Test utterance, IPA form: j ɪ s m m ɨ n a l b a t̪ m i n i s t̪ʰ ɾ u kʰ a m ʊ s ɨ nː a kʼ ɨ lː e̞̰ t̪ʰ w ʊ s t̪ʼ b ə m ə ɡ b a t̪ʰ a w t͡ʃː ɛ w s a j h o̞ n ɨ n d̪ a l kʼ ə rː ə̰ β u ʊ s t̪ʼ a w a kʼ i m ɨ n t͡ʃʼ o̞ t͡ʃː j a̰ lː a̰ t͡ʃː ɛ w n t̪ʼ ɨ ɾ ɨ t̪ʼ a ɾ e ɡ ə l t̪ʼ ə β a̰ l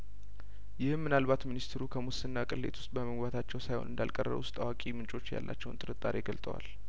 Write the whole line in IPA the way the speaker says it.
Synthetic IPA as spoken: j ɪ h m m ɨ n a l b a t̪ m i n i s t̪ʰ ɾ u kʰ ə m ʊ s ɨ nː a kʼ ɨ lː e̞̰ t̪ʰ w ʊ s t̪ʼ b ə m ə ɡ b a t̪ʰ a t͡ʃː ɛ w s a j h o̞ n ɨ n d̪ a l kʼ ə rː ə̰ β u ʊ s t̪ʼ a w a kʼ i m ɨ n t͡ʃʼ o̞ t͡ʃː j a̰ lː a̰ t͡ʃː ɛ w n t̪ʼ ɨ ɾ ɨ t̪ʼ a ɾ e ɡ ə l t̪ʼ ə w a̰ l